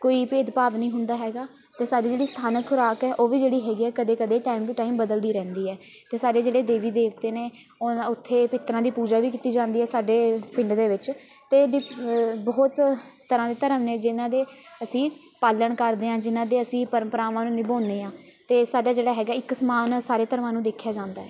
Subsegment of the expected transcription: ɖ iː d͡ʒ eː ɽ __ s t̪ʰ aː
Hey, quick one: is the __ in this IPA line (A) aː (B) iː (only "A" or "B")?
B